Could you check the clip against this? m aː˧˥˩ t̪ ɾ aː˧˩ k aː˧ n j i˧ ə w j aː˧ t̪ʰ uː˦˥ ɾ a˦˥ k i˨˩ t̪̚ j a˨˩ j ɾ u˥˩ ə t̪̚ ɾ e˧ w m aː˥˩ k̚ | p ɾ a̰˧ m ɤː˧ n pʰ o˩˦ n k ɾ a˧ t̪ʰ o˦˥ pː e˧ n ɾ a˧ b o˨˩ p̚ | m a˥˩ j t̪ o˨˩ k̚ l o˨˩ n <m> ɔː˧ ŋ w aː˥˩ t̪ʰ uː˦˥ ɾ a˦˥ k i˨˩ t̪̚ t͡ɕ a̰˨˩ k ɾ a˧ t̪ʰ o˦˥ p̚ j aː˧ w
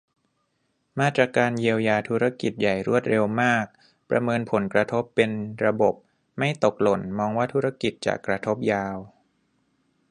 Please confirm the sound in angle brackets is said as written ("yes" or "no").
yes